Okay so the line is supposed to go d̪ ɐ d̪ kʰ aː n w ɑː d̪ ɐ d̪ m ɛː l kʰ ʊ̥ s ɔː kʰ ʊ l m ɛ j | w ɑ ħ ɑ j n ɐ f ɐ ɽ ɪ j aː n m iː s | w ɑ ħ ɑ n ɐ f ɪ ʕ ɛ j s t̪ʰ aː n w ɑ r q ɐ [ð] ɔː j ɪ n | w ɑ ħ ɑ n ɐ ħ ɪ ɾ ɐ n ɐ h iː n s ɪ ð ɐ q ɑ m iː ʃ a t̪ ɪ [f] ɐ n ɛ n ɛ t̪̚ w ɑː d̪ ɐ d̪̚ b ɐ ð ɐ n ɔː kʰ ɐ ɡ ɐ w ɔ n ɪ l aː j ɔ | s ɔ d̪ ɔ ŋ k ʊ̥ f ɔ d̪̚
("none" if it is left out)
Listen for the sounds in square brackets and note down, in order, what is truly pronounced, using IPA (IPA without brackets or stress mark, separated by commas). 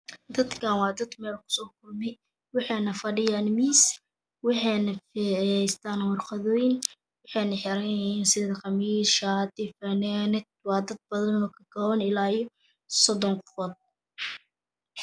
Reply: ð, f